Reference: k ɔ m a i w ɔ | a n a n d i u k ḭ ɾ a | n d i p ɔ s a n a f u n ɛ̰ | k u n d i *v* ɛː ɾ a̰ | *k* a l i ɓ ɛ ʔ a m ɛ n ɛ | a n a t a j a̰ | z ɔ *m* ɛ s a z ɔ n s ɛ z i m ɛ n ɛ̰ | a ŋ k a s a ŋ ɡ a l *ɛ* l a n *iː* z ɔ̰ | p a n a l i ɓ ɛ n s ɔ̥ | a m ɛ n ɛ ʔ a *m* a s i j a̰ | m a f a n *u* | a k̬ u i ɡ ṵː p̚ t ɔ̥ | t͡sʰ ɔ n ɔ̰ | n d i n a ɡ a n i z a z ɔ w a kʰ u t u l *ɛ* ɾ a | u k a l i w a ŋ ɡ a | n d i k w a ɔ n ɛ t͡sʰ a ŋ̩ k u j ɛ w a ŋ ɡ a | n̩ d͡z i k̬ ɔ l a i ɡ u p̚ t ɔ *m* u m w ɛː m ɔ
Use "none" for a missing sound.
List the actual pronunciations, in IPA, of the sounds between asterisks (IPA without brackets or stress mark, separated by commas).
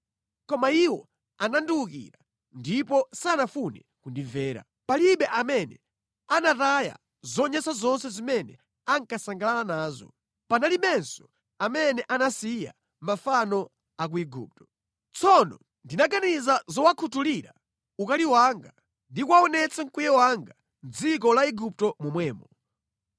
v, p, ɲ, a, aː, n, ɔ, i, m